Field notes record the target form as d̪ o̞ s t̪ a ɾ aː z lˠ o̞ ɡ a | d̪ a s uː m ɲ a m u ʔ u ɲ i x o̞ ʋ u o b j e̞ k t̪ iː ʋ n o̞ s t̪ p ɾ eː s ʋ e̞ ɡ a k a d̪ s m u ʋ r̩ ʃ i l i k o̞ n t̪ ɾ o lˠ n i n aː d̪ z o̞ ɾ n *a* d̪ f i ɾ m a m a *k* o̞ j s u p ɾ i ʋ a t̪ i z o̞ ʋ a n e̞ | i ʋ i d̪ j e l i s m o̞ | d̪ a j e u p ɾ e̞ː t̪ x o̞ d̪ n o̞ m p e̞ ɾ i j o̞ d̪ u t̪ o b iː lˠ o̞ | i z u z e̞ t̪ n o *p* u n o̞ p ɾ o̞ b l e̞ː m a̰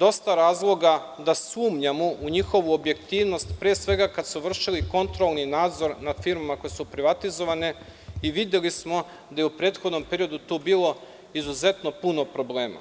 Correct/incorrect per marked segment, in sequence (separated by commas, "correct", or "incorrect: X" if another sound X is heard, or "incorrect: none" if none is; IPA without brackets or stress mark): correct, correct, correct